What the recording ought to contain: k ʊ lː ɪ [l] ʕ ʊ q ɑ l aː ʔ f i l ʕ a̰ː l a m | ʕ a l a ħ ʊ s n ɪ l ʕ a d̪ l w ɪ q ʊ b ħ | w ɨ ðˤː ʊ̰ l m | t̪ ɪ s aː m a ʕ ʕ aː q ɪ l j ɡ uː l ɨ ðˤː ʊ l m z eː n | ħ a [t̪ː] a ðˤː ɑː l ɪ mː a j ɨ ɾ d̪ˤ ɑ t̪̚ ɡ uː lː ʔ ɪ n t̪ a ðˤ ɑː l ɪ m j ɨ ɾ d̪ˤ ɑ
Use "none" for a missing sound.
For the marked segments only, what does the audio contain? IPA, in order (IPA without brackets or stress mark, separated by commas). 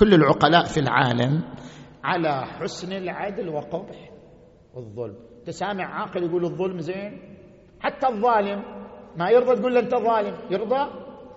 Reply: l, t̪ː